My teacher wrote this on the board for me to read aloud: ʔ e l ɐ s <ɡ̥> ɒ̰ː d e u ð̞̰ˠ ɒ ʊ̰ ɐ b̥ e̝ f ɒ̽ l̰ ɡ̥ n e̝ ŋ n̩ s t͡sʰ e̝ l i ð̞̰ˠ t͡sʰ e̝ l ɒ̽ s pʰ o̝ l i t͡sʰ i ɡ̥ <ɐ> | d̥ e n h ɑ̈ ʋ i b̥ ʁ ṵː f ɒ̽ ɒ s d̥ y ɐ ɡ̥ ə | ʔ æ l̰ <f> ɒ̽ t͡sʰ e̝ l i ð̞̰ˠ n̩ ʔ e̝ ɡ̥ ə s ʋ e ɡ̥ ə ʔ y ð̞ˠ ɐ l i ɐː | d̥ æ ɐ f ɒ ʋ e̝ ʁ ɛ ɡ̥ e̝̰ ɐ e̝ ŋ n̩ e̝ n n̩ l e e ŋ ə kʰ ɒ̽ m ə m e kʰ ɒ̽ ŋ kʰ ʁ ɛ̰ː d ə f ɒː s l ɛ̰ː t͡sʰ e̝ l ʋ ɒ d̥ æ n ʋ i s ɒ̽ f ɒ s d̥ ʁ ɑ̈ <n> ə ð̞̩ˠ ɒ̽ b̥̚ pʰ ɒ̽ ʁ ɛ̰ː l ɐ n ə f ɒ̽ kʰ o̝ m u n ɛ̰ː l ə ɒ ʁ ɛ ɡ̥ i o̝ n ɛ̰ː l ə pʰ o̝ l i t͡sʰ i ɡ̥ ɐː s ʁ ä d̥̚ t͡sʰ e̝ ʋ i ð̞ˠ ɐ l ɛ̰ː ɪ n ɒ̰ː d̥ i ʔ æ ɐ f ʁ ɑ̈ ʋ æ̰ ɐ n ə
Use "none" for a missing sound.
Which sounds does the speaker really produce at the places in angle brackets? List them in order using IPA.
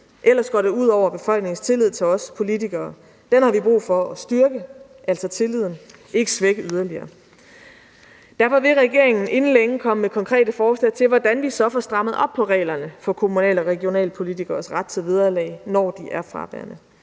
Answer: ɡ̥, ɐː, s, m

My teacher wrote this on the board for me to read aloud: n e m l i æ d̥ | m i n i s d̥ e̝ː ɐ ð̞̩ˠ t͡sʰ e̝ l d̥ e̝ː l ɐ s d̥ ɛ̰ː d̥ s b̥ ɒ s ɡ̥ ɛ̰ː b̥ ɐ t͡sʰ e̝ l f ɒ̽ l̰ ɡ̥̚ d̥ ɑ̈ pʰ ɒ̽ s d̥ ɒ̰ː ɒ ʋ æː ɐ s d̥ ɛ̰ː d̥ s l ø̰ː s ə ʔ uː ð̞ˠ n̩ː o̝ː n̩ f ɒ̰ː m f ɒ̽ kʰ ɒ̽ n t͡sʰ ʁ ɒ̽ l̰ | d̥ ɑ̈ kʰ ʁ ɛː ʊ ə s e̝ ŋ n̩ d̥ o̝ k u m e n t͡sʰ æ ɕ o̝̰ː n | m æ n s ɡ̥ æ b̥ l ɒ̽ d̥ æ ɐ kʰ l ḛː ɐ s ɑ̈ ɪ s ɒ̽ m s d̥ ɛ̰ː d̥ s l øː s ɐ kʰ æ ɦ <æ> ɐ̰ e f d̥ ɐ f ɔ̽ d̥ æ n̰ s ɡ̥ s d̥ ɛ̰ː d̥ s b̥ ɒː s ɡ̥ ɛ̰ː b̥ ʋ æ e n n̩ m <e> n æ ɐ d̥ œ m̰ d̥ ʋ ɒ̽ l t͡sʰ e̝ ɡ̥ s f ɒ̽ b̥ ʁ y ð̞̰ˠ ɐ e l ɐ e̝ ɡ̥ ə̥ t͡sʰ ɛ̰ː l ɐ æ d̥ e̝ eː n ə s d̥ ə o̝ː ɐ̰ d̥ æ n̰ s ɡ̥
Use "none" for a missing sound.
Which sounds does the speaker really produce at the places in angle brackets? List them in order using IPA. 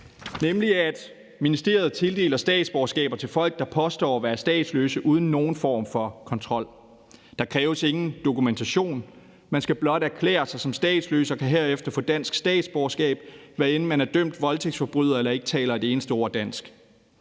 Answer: e, æ

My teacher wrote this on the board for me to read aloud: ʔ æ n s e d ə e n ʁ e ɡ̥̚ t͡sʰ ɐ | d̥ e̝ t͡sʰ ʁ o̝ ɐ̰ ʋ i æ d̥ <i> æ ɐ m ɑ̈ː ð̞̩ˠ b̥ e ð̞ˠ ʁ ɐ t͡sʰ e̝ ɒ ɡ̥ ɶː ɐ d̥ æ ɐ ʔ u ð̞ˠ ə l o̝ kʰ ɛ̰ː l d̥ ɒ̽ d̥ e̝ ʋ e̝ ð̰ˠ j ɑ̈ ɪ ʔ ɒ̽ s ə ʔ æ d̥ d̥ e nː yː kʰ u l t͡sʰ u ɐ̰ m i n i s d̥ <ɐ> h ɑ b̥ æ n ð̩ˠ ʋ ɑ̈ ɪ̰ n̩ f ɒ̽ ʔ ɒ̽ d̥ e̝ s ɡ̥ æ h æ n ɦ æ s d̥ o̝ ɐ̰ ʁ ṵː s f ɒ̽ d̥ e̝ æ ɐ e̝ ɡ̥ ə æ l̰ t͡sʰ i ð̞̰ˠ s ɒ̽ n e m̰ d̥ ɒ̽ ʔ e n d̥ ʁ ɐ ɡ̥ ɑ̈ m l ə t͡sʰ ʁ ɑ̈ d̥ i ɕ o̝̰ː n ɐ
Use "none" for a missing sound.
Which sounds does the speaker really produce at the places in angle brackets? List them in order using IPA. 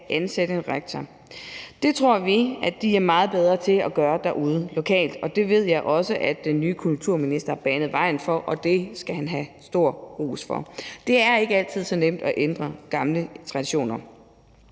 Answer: i, ɐ

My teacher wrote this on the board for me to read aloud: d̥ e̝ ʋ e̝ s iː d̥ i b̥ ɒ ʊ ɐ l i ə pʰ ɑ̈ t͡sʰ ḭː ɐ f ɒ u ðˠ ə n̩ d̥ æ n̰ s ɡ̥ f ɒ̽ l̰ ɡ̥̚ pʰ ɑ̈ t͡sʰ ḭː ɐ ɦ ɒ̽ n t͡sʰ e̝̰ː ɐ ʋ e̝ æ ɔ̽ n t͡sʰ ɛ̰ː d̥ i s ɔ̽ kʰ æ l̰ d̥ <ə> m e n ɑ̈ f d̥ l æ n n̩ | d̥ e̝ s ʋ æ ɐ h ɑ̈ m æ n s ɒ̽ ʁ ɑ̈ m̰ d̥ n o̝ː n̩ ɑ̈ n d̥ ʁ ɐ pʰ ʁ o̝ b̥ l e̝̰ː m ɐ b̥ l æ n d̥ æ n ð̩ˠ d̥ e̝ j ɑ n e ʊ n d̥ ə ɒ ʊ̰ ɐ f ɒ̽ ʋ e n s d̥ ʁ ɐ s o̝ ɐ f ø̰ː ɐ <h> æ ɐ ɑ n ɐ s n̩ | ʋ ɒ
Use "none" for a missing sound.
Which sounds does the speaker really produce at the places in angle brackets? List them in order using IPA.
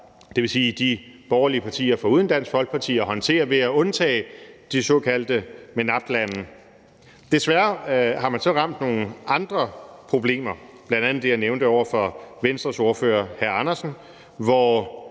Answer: ə, h

